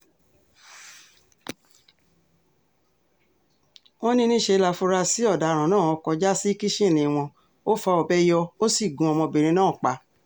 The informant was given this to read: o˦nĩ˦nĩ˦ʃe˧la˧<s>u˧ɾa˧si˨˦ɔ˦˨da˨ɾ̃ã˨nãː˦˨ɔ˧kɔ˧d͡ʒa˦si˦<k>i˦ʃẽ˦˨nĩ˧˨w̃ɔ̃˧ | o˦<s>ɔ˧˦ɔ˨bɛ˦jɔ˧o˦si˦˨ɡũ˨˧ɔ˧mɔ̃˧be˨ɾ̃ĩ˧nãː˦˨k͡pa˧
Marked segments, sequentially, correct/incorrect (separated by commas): incorrect, correct, incorrect